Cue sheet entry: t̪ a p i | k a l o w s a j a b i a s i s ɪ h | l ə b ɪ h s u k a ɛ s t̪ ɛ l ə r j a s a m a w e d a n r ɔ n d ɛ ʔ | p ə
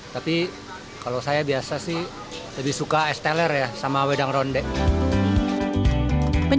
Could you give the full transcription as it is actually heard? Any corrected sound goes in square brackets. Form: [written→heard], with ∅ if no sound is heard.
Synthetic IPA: t̪ a p i | k a l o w s a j a b i a s [i→a] s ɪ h | l ə b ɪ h s u k a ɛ s t̪ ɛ l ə r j a s a m a w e d a [n→ŋ] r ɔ n d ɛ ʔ | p ə